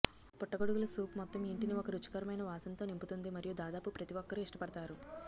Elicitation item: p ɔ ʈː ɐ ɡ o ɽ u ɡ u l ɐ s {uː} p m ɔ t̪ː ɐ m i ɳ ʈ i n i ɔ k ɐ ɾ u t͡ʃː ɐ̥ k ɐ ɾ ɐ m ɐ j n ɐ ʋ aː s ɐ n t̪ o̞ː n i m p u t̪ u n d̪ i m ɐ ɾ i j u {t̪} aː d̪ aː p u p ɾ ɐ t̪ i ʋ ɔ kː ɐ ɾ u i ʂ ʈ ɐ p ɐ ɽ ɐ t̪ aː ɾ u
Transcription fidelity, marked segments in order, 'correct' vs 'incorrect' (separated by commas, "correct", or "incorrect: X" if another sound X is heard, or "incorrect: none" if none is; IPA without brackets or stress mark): correct, incorrect: d̪